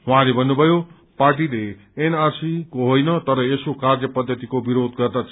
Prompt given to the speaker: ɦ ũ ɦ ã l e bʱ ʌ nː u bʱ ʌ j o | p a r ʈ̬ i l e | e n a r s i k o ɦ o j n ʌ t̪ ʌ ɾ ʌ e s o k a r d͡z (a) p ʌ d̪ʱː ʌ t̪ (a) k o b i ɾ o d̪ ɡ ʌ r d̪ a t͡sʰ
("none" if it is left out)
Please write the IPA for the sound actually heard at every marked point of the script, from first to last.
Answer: ʌ, i

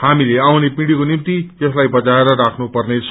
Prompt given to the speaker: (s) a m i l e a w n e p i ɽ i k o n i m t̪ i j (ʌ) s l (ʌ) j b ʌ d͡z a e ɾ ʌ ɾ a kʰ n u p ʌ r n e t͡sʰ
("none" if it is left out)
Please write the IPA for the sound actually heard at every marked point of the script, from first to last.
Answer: h, ʌ, a

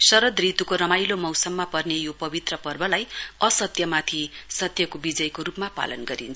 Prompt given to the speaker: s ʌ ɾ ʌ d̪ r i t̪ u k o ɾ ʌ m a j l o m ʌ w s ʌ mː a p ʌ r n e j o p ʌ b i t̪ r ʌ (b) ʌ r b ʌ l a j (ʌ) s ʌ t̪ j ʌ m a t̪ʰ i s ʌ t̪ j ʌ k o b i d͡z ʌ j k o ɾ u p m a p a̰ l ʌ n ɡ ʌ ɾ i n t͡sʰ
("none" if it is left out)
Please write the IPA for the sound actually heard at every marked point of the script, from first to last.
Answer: p, ʌ

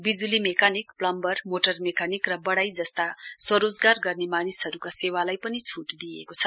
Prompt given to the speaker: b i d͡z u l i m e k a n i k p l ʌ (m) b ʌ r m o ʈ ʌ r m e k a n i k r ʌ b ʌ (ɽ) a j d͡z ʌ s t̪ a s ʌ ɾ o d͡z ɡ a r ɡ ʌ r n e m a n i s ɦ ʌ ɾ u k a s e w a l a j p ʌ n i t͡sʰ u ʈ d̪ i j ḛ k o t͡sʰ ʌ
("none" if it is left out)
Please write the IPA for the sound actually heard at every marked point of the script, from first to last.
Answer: m, ɽ

